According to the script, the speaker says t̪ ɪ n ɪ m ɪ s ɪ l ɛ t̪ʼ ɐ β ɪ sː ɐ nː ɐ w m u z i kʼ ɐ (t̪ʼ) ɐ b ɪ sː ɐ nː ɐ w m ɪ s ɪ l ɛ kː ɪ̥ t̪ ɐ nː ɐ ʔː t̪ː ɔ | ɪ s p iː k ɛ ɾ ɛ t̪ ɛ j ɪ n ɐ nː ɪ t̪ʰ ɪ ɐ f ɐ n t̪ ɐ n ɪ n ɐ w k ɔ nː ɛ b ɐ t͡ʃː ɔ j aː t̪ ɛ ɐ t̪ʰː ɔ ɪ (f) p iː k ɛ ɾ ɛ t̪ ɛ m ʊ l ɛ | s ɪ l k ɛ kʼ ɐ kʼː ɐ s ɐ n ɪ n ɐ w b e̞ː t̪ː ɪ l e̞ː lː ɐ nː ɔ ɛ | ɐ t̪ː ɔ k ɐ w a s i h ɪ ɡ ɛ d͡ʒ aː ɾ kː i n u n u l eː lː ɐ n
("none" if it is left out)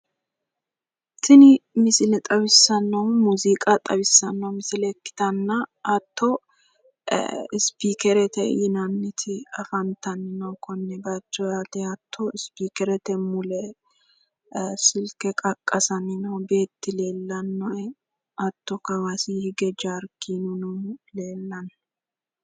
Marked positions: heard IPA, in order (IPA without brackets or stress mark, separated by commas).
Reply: t̪ʼ, s